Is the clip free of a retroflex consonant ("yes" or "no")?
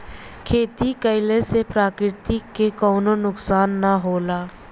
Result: yes